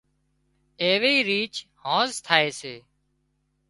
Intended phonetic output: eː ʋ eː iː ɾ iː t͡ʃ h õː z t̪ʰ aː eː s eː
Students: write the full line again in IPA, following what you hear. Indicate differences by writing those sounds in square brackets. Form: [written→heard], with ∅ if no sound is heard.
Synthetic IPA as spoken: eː ʋ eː iː ɾ iː t͡ʃ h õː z t̪ʰ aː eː s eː